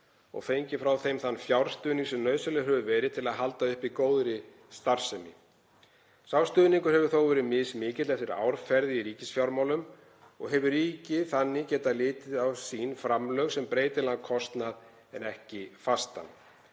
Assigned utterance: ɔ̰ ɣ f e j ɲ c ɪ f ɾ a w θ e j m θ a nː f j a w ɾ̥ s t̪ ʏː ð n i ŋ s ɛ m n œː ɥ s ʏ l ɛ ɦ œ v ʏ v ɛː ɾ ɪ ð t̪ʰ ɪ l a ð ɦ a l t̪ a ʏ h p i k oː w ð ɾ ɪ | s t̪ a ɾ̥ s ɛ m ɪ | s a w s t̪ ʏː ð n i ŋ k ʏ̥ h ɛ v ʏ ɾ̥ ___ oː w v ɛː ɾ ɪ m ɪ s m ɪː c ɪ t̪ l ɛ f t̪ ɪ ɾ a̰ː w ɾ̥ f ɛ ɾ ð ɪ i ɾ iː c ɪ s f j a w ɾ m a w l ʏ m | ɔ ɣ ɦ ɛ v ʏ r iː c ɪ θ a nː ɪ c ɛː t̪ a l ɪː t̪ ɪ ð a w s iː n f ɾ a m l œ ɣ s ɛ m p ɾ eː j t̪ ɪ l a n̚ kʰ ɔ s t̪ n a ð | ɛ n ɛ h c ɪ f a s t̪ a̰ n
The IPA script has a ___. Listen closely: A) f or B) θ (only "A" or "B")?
B